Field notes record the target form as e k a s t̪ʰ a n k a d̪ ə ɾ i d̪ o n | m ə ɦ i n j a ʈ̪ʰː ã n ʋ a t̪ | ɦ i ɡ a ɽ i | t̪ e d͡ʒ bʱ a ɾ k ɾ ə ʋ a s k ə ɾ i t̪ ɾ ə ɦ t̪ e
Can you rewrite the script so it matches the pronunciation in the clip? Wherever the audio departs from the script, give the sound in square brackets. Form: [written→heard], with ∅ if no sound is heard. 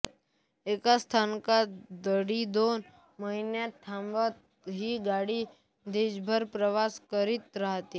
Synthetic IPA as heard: e k a s t̪ʰ a n k a d̪ ə [ɾ→ɽ] i d̪ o n | m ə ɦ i n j a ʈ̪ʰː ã [n→m] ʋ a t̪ | ɦ i ɡ a ɽ i | [t̪→d̪] e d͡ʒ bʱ [a→ə] ɾ [k→p] ɾ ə ʋ a s k ə ɾ i t̪ ɾ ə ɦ t̪ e